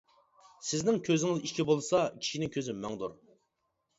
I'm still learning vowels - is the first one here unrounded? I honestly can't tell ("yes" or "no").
yes